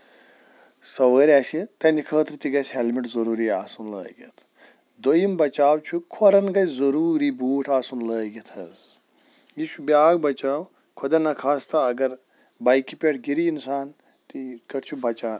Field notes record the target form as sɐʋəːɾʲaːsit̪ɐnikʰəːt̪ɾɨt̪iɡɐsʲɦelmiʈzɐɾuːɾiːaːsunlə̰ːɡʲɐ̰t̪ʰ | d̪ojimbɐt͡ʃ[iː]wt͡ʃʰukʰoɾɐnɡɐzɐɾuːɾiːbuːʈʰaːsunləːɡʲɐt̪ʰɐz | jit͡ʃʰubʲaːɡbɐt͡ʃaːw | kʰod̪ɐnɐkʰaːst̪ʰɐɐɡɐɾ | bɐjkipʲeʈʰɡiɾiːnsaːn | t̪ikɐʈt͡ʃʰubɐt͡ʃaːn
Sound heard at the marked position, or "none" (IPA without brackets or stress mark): aː